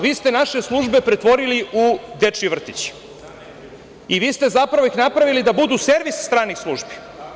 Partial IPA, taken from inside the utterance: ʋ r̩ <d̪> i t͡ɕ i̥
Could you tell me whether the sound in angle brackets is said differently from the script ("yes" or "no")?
yes